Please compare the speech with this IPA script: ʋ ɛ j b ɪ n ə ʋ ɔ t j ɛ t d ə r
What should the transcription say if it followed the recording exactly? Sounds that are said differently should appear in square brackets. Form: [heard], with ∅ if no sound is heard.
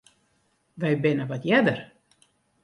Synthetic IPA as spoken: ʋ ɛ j b ɪ n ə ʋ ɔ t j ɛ [∅] d ə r